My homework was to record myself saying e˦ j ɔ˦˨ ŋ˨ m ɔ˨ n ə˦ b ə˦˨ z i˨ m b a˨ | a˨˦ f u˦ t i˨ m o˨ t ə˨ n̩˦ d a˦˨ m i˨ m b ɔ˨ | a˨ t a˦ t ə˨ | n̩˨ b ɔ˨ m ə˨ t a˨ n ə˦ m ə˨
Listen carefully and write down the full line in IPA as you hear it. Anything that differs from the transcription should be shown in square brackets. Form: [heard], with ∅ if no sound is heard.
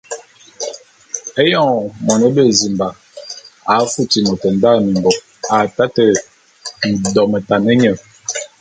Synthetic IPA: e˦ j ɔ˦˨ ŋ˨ m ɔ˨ n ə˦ b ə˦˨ z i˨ m b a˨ | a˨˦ f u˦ t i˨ m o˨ t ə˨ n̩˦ d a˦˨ m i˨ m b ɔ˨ | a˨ t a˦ t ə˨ | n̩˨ [d] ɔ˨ m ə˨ t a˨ n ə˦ [ɲ] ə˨